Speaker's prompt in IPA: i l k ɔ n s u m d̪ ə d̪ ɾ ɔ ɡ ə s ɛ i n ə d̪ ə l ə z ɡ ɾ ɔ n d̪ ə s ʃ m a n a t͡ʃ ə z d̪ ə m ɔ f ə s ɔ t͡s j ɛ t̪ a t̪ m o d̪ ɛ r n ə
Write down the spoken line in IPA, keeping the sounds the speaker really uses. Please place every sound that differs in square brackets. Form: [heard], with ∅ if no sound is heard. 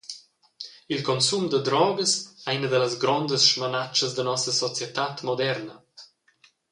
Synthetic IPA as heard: i l k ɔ n s u m d̪ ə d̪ ɾ ɔ ɡ ə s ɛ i n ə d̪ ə l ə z ɡ ɾ ɔ n d̪ ə s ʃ m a n a t͡ʃ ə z d̪ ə [n] ɔ [s] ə s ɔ t͡s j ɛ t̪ a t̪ m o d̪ ɛ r n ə

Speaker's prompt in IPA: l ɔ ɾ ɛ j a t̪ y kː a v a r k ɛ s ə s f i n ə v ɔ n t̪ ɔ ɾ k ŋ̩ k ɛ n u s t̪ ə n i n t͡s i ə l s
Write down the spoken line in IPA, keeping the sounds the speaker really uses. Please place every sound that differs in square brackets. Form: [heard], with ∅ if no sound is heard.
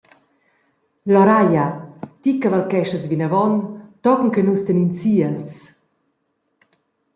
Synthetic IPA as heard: l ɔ ɾ [a] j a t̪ [i] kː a v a [l] k ɛ [ʃ] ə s [v] i n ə v ɔ n t̪ ɔ [∅] k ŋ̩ k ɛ n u s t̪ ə n i n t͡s i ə l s

